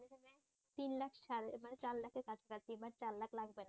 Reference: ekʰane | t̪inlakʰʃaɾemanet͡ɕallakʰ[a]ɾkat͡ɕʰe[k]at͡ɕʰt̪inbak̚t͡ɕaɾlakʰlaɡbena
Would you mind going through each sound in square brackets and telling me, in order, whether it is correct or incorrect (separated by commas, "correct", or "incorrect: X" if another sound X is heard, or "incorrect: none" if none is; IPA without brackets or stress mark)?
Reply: incorrect: e, correct